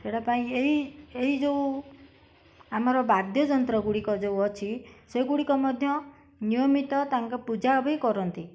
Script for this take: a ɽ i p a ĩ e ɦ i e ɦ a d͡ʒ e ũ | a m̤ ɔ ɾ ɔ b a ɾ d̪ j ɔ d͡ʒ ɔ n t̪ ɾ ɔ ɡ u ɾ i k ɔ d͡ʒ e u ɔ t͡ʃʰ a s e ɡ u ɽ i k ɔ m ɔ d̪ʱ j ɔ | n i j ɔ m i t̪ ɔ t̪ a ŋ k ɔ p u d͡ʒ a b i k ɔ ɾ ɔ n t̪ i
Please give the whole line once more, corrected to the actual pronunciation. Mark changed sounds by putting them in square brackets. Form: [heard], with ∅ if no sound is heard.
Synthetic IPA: [e] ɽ [a] p a ĩ e ɦ i e ɦ [i] d͡ʒ e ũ | a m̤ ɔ ɾ ɔ b a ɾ d̪ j ɔ d͡ʒ ɔ n t̪ ɾ ɔ ɡ u [ɽ] i k ɔ d͡ʒ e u ɔ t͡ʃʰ [i] s e ɡ u ɽ i k ɔ m ɔ d̪ʱ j ɔ | n i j ɔ m i t̪ ɔ t̪ a ŋ k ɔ p u d͡ʒ a b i k ɔ ɾ ɔ n t̪ i